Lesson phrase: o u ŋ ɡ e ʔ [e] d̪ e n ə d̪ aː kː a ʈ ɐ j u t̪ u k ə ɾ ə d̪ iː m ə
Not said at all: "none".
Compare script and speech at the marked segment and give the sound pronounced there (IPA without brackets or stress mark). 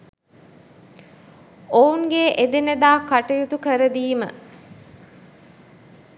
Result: e